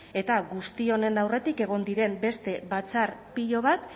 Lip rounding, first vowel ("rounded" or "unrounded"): unrounded